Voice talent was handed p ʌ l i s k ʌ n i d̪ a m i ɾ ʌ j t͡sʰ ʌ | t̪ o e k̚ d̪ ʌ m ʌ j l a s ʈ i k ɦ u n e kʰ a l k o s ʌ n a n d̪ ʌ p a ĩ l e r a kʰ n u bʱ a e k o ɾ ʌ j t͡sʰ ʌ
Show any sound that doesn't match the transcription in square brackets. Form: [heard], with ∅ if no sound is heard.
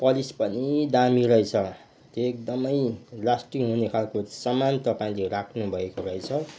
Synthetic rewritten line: p ʌ l i s [p] ʌ n i d̪ a m i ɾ ʌ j t͡sʰ ʌ | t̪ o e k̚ d̪ ʌ m ʌ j l a s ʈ i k ɦ u n e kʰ a l k o s ʌ [m] a n [t̪] ʌ p a ĩ l e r a kʰ n u bʱ [ʌ] e k o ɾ ʌ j t͡sʰ ʌ